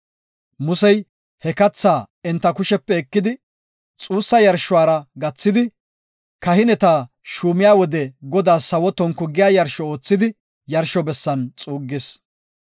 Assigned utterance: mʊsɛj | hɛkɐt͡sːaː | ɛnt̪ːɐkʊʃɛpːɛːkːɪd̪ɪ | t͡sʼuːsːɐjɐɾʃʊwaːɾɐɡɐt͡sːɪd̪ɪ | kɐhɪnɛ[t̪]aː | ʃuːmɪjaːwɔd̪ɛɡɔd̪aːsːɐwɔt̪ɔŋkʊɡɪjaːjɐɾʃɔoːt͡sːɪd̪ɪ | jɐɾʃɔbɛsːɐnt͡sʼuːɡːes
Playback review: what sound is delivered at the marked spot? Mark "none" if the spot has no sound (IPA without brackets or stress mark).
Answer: t̪